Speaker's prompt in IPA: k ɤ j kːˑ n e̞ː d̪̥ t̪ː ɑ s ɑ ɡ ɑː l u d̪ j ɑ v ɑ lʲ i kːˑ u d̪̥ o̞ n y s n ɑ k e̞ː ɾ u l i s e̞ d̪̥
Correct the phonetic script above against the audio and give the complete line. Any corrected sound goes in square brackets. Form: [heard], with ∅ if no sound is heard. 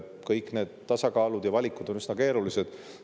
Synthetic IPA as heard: k ɤ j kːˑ n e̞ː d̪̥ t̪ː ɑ s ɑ [k] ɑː l u d̪ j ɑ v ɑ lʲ i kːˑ u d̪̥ o̞ n y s n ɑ k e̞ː ɾ u l i s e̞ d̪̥